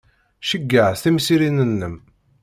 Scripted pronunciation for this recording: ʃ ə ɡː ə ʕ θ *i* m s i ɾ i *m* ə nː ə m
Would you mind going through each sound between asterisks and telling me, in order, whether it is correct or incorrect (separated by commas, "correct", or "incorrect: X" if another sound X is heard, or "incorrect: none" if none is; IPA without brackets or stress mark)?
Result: correct, incorrect: n